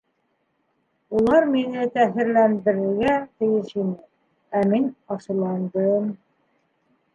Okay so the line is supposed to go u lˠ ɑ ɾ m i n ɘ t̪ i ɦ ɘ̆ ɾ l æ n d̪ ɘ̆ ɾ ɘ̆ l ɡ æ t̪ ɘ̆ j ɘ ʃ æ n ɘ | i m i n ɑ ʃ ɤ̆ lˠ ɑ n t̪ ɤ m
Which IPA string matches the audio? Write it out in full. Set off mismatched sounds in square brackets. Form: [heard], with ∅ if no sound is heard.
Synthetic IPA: u lˠ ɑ ɾ m i n ɘ t̪ [æ] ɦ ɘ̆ ɾ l æ n d̪ ɘ̆ ɾ ɘ̆ [ɾ] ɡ æ t̪ ɘ̆ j ɘ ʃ [i] n ɘ | [æ] m i n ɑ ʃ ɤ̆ lˠ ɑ n [d̪] ɤ m